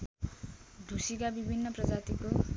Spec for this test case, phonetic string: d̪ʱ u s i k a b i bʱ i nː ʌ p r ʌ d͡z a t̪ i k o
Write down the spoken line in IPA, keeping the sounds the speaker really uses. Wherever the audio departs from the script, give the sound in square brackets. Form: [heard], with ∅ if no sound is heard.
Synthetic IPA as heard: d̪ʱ u s i k a b i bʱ i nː ʌ p r ʌ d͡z a t̪ i k o